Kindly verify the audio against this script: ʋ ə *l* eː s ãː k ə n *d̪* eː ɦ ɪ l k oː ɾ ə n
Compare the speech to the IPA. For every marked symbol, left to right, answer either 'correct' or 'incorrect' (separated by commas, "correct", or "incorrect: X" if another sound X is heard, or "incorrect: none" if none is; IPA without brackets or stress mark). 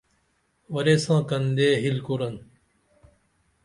incorrect: ɾ, correct